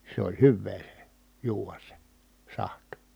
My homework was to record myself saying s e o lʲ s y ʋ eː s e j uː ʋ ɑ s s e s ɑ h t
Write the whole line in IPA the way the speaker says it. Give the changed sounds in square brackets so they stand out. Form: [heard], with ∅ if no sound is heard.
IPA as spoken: s e o lʲ [h] y [ʋː] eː s e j uː ʋ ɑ s s e s ɑ h t

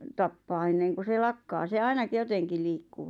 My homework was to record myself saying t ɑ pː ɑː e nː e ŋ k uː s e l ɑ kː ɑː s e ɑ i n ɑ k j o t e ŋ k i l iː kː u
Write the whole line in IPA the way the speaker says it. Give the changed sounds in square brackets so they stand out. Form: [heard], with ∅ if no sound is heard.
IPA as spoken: t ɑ pː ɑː e nː e ŋ k [u] s e l ɑ kː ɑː s e ɑ i n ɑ k j o t e ŋ k i l iː kː u

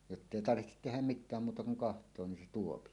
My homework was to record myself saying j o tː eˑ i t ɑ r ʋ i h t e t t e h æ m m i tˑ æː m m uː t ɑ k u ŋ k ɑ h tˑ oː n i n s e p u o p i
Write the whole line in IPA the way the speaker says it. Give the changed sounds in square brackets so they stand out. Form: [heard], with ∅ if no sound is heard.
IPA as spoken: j o tː eˑ i t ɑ r ʋ i h t e t t e h æ m m i tˑ æː m m uː t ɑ k u ŋ k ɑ h tˑ oː n i n s e [t] u o p i

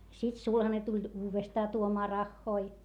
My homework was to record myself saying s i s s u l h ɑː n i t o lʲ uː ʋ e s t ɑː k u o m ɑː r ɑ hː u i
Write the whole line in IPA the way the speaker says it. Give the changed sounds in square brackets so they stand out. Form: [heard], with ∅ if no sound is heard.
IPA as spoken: s i [t] s u l h [ɑ] n [e] t [u] lʲ uː ʋ e s t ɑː [t] u o m ɑː r ɑ hː [o] i

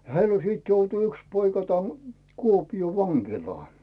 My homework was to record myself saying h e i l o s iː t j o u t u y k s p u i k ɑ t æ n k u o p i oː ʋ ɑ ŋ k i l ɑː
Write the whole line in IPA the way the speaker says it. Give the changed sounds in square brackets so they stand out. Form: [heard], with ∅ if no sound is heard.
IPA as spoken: h e i l o s iː t j o u t u y k s p [o] i k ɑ t æ n k u o p i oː ʋ ɑ ŋ k i l ɑː

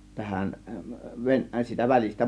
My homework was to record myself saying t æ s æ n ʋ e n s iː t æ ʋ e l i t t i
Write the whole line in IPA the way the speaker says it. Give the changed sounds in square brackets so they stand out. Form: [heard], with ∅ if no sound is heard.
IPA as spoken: t æ [h] æ n ʋ e n s iː t æ ʋ [æ] l i [s] t [æ]

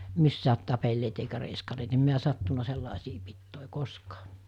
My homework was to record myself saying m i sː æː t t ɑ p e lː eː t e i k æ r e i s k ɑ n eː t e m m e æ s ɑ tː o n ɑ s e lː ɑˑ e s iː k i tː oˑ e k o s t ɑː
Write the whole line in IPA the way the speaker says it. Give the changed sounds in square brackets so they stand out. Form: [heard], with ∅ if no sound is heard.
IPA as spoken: m i sː æː t t ɑ p e lː eː t e i k æ r e i s k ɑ n eː t e m m [i] æ s ɑ tː [u] n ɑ s e lː ɑˑ e s iː [p] i tː oˑ e k o s [k] ɑː

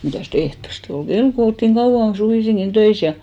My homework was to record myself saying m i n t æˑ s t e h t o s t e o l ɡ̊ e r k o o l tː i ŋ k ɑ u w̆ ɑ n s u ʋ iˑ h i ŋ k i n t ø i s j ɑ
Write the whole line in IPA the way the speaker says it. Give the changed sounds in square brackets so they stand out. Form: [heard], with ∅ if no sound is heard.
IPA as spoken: m i [∅] t æˑ s t e h t o s t e o l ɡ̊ e [l] k o o l tː i ŋ k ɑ u w̆ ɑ n s u ʋ iˑ [s] i ŋ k i n t ø i s j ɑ

